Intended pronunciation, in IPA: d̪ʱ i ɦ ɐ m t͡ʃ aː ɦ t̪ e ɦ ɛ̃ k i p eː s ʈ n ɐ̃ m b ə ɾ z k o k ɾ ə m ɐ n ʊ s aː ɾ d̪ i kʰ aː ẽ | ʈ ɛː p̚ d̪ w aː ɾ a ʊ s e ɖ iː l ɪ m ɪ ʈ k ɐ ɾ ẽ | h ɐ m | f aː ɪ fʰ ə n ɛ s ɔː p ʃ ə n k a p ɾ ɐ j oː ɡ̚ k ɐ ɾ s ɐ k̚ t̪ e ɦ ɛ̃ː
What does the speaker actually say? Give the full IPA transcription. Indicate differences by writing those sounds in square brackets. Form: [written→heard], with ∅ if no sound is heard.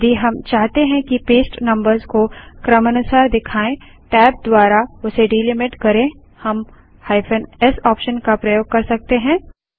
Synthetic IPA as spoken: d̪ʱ i ɦ ɐ m t͡ʃ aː ɦ t̪ e ɦ ɛ̃ k i p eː s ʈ n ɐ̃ m b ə ɾ z k o k ɾ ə m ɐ n ʊ s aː ɾ d̪ [i→ɪ] kʰ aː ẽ | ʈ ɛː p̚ d̪ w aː ɾ a ʊ s e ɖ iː l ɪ m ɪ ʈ k ɐ ɾ ẽ | h ɐ m | [f→h] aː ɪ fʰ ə n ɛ s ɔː p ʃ ə n k a p ɾ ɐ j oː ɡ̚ k ɐ ɾ s ɐ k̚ t̪ e ɦ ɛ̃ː